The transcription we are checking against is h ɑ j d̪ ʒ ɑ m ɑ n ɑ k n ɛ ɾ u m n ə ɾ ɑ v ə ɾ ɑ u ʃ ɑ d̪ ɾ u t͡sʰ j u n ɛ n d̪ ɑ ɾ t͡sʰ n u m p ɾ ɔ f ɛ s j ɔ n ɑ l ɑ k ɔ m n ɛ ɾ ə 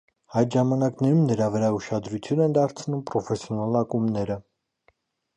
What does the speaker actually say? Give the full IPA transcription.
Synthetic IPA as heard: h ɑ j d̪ ʒ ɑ m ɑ n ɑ k n ɛ ɾ u m n ə ɾ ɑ v ə ɾ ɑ u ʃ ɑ d̪ ɾ u t͡sʰ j u n ɛ n d̪ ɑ ɾ t͡sʰ n u m p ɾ ɔ f ɛ s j ɔ n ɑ l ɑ k u m n ɛ ɾ ə